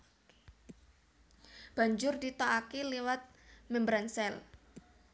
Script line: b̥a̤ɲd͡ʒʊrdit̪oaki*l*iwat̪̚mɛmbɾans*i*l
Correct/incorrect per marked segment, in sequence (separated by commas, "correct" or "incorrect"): correct, incorrect